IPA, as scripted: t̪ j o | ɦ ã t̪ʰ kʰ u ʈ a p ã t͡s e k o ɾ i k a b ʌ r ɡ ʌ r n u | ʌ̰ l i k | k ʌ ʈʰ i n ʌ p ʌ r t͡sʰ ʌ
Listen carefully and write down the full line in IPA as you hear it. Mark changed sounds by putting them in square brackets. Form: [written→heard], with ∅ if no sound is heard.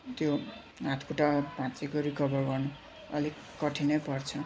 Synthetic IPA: t̪ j o | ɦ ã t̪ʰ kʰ u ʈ a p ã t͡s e k o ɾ i k [a→ʌ] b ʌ r ɡ ʌ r n u | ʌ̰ l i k | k ʌ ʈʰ i n ʌ p ʌ r t͡sʰ ʌ

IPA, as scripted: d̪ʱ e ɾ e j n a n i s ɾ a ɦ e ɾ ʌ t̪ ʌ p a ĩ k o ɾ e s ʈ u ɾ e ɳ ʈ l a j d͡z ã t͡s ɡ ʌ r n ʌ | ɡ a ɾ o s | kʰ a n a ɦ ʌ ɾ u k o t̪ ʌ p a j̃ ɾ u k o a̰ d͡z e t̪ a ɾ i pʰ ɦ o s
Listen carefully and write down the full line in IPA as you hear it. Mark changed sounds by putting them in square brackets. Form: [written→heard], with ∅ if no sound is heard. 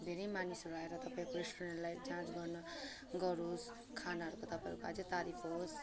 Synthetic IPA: d̪ʱ e ɾ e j [n→m] a n i s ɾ a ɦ e ɾ ʌ t̪ ʌ p a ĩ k o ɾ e s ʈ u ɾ e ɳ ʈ l a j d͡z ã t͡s ɡ ʌ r n ʌ | ɡ [a→ʌ] ɾ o s | kʰ a n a ɦ ʌ ɾ u k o t̪ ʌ p a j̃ ɾ u k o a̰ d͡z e t̪ a ɾ i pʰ ɦ o s

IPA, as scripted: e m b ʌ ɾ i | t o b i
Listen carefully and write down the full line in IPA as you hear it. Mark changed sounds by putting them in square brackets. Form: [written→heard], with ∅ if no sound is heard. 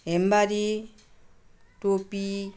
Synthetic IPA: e m b [ʌ→a] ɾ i | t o [b→p] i

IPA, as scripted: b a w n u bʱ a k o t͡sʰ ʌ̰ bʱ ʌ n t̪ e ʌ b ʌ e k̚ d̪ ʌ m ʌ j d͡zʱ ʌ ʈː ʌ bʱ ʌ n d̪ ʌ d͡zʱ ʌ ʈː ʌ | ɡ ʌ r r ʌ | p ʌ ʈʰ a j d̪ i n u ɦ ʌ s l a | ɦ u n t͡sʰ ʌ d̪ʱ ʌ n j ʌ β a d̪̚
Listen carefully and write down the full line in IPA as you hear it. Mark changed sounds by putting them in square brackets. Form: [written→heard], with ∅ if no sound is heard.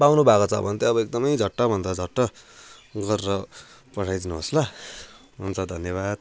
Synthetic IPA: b a w n u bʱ a k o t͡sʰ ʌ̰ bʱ ʌ n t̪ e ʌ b ʌ e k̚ d̪ ʌ m ʌ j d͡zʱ ʌ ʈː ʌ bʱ ʌ n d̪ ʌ d͡zʱ ʌ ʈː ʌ | ɡ ʌ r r ʌ | p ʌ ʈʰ a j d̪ i n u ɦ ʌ s l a | ɦ u n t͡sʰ ʌ d̪ʱ ʌ n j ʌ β a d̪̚

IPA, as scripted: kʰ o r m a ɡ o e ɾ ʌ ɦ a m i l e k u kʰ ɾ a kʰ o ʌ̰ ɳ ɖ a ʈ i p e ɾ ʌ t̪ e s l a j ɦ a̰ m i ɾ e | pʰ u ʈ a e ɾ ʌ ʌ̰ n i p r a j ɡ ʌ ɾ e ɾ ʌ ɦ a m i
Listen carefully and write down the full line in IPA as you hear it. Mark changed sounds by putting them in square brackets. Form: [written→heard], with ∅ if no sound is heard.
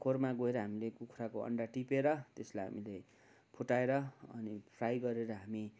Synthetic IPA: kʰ o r m a ɡ o e ɾ ʌ ɦ a m i l e k u kʰ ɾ a [kʰ→k] o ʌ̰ ɳ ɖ a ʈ i p e ɾ ʌ t̪ e s l a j ɦ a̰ m i [ɾ→l] e | pʰ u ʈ a e ɾ ʌ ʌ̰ n i [p→pʰ] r a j ɡ ʌ ɾ e ɾ ʌ ɦ a m i

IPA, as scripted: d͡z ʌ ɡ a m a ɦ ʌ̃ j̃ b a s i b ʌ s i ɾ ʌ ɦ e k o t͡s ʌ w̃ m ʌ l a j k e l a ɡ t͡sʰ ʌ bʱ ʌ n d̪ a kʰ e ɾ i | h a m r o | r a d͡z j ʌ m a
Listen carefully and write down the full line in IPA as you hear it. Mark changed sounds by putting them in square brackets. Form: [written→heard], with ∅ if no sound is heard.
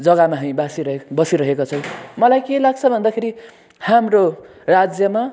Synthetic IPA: d͡z ʌ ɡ a m a ɦ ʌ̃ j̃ b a s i b ʌ s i ɾ ʌ ɦ e k o [t͡s→t͡sʰ] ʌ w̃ m ʌ l a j k e l a ɡ t͡sʰ ʌ bʱ ʌ n d̪ a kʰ e ɾ i | h a m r o | r a d͡z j ʌ m a

